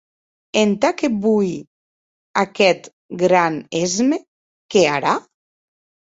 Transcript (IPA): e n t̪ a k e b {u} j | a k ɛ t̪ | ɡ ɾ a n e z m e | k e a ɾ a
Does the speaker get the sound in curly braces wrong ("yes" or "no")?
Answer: no